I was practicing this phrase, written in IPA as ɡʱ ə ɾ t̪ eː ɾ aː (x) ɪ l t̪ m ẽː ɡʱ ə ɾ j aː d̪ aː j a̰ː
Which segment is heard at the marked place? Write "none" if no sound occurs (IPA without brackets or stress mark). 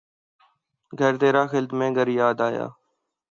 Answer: x